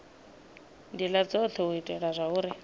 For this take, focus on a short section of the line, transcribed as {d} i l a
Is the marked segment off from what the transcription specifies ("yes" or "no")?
no